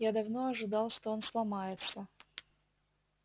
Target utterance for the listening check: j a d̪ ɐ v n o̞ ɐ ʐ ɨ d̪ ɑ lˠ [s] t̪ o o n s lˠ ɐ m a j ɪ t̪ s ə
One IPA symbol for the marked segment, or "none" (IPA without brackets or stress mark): ʂ